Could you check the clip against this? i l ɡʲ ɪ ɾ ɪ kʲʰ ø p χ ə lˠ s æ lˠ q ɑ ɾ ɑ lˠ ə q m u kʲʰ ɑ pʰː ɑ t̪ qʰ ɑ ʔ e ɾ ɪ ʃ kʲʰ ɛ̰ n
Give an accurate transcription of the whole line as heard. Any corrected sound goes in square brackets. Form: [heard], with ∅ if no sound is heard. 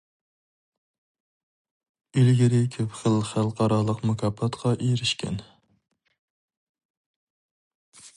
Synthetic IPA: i l ɡʲ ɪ ɾ ɪ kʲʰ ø p χ ə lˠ [χ] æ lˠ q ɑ ɾ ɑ lˠ ə q m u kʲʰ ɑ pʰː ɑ t̪ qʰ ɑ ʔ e ɾ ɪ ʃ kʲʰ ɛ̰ n